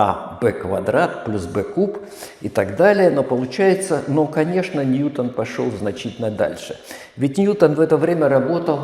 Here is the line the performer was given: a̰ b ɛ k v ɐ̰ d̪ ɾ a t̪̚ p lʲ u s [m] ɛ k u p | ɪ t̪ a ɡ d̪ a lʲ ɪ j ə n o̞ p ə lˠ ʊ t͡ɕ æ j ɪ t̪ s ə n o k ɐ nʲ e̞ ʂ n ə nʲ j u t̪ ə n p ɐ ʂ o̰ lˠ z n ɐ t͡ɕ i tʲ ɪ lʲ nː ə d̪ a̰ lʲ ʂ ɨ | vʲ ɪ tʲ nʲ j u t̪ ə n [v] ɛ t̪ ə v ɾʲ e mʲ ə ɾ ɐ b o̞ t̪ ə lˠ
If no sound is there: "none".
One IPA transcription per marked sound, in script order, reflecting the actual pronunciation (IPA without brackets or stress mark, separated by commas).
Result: b, v